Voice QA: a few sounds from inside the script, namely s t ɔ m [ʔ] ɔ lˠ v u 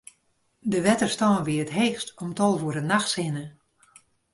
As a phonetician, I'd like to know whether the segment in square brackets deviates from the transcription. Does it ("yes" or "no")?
yes